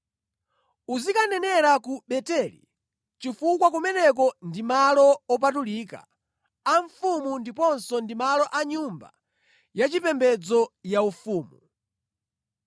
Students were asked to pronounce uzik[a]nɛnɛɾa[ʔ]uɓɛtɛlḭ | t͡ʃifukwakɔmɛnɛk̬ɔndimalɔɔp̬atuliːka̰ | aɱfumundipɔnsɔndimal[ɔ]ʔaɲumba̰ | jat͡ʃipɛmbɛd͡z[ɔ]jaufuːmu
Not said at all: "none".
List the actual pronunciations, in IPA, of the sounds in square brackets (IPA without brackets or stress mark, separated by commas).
a, k, ɔ, ɔ